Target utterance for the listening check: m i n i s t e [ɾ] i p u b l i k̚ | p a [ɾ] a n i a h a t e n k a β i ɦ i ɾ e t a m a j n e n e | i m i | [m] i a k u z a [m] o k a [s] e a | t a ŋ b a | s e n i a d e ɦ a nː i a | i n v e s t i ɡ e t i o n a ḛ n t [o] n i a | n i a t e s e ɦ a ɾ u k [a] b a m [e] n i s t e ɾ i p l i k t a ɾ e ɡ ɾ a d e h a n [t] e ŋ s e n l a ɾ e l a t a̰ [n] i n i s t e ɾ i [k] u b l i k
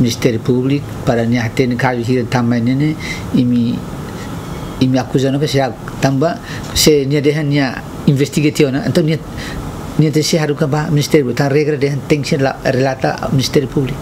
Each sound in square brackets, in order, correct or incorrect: correct, correct, correct, incorrect, correct, correct, correct, incorrect, correct, incorrect, incorrect

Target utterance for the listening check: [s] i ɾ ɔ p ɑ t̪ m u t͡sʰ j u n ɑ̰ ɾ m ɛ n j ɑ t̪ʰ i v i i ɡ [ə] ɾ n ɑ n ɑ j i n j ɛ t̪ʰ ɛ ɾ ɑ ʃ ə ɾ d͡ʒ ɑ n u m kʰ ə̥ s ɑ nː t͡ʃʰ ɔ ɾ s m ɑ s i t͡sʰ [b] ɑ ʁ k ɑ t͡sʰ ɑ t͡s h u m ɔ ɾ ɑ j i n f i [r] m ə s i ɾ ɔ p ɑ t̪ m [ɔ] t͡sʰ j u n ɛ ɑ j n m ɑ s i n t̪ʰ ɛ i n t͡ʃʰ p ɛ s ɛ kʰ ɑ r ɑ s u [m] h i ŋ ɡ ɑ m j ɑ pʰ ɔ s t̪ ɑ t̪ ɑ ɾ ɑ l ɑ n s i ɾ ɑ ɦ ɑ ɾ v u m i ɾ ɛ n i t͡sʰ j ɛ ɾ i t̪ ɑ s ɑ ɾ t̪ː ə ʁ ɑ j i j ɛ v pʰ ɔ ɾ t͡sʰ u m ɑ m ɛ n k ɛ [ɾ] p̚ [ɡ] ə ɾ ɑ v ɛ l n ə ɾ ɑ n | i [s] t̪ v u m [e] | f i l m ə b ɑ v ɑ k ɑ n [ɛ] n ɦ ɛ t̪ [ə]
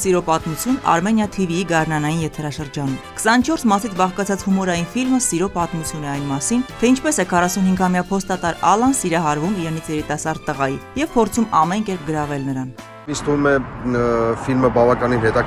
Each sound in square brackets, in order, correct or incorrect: correct, incorrect, correct, incorrect, incorrect, incorrect, correct, correct, correct, incorrect, incorrect, incorrect

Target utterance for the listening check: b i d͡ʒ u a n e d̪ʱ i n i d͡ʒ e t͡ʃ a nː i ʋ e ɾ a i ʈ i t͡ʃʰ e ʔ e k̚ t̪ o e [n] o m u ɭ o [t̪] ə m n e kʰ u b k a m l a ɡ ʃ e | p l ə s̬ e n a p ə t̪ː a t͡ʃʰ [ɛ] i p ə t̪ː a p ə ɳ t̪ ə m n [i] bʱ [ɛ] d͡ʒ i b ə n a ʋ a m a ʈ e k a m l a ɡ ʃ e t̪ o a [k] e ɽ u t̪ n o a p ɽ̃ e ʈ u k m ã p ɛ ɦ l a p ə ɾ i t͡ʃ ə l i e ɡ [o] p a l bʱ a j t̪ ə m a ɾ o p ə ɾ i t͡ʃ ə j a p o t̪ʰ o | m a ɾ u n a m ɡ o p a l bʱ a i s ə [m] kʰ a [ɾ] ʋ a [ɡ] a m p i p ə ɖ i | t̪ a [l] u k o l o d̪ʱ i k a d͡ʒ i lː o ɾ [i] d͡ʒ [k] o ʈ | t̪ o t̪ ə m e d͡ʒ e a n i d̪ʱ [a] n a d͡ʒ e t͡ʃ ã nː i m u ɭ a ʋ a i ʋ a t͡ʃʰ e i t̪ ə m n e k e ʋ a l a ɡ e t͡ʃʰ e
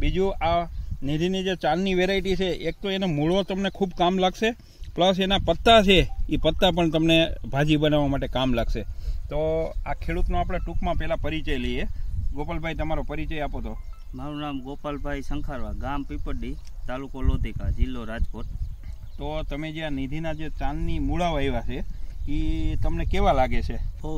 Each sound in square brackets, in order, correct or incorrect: correct, correct, incorrect, incorrect, incorrect, incorrect, correct, incorrect, correct, correct, correct, incorrect, correct, incorrect

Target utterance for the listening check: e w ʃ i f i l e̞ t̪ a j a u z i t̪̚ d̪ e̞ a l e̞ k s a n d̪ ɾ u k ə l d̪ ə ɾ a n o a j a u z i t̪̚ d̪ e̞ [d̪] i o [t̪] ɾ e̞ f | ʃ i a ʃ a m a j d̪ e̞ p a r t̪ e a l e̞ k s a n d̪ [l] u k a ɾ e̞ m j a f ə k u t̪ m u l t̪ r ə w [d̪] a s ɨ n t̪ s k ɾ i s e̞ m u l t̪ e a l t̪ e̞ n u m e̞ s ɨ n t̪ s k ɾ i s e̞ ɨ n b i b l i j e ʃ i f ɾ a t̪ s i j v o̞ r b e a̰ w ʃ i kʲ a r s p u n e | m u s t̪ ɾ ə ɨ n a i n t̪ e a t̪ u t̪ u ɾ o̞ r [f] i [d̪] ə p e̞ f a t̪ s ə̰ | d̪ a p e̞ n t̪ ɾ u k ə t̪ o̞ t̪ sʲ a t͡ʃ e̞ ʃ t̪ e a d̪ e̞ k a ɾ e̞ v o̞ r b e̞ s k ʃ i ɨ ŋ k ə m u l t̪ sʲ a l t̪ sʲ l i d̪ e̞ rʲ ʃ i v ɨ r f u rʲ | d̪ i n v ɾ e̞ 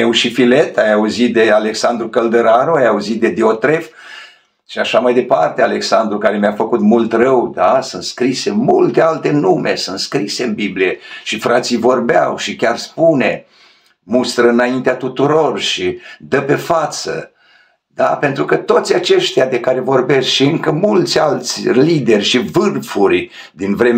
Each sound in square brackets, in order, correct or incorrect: correct, correct, incorrect, correct, incorrect, correct

